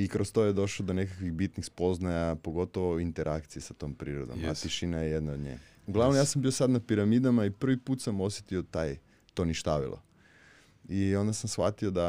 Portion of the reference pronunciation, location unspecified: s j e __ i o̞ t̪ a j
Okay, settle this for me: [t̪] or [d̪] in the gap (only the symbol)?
t̪